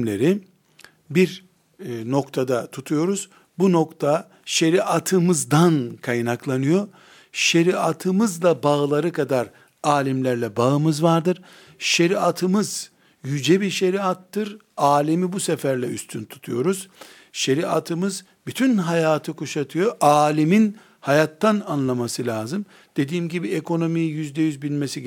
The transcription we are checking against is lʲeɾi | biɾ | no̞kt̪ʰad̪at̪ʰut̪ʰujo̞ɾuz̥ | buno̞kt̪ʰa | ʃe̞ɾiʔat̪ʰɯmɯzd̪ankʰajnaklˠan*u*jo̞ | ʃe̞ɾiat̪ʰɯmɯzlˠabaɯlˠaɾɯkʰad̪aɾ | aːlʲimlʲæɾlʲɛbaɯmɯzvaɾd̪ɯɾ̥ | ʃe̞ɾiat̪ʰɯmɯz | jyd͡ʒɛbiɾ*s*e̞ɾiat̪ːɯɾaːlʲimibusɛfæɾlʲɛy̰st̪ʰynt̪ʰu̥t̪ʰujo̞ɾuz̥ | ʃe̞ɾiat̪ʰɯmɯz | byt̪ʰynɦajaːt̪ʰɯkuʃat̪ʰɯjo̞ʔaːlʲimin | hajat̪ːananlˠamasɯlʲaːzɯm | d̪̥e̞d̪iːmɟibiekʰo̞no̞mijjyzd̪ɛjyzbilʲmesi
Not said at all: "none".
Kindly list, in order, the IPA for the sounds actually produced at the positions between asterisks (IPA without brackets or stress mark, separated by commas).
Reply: ɯ, ʃ